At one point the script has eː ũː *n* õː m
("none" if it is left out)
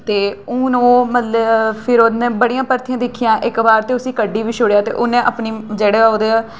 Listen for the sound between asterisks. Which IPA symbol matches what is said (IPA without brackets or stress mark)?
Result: n